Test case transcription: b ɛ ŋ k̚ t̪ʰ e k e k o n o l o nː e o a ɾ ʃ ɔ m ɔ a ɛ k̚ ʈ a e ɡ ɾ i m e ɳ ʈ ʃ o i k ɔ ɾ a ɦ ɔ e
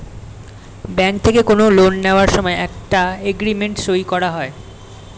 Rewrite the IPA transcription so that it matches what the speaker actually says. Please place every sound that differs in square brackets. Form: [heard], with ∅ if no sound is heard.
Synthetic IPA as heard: b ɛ ŋ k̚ t̪ʰ e k e k o n o l o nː e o a ɾ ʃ ɔ m ɔ [e] ɛ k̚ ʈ a e ɡ ɾ i m e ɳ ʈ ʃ o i k ɔ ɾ a ɦ ɔ e